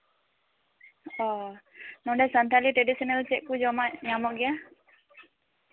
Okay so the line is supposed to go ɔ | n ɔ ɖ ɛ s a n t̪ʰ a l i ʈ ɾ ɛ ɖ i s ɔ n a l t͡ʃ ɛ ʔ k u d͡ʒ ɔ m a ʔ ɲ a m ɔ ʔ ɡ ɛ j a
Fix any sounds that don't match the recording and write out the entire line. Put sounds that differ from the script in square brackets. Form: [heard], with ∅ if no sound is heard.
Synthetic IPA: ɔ | n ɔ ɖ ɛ s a n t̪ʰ a l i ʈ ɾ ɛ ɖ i s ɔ n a l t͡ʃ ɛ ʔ k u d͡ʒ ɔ m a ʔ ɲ a m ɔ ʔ ɡ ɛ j a